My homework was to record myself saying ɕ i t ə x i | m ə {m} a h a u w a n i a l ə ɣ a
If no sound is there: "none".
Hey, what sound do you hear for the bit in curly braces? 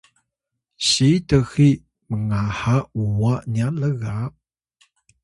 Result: ŋ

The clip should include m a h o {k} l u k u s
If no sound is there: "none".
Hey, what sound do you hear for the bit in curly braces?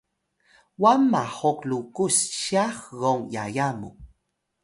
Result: k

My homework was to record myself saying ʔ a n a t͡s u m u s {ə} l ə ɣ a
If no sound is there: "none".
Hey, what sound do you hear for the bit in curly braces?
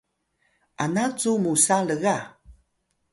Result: a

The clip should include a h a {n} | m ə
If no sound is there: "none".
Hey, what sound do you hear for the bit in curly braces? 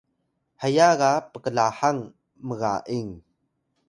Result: ŋ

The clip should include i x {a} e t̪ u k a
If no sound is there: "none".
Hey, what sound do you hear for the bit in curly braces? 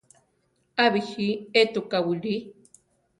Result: i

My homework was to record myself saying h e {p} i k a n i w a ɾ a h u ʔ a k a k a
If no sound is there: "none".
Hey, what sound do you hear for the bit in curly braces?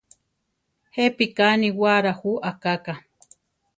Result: p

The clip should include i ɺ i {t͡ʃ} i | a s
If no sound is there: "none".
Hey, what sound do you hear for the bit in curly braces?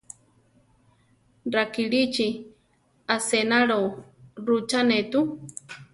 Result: t͡ʃ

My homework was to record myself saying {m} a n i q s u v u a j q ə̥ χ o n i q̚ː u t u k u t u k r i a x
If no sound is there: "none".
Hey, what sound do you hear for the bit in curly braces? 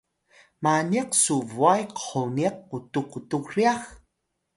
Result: m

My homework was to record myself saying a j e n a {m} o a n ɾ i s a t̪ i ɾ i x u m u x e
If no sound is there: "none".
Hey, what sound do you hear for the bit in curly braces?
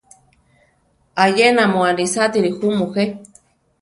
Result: m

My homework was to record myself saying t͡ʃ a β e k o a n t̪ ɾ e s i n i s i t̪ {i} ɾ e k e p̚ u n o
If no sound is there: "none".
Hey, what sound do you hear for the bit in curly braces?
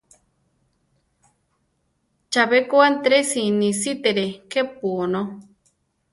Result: e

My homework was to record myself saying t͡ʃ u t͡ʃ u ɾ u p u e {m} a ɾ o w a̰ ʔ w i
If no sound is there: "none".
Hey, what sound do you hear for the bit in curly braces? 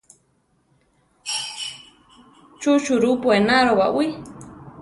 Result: n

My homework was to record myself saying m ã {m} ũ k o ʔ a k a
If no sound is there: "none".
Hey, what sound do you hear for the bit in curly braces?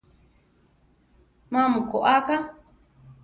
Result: m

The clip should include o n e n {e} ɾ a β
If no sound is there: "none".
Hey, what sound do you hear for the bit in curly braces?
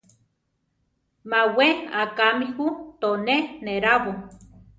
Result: e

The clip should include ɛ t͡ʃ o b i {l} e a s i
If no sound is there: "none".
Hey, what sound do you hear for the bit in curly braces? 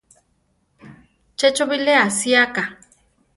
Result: l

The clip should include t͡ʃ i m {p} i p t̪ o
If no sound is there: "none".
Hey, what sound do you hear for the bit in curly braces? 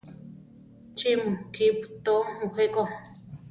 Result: k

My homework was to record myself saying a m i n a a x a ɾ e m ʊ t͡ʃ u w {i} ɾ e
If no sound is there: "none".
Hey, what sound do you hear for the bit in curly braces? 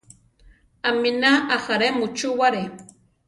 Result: a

